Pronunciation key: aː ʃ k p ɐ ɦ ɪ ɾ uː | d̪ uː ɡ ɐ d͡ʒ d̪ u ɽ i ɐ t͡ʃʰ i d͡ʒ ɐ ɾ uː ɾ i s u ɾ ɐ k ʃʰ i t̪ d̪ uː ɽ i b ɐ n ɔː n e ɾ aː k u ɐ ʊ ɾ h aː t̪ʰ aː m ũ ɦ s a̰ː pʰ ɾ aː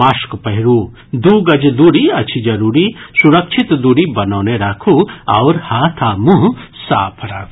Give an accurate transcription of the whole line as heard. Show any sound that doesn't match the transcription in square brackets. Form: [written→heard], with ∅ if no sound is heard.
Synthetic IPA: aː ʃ k p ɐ ɦ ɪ ɾ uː | d̪ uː ɡ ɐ d͡ʒ d̪ u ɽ i ɐ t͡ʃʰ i d͡ʒ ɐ ɾ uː ɾ i s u ɾ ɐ k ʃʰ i t̪ d̪ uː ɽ i b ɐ n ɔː n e ɾ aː [k→kʰ] u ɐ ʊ ɾ h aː t̪ʰ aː m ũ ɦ s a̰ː pʰ ɾ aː